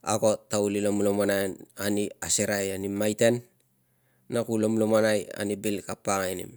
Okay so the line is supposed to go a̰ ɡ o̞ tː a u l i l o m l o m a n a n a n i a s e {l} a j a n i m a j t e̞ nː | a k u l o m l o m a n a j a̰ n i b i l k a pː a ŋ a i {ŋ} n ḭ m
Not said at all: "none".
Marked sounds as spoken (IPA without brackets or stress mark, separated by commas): ɾ, none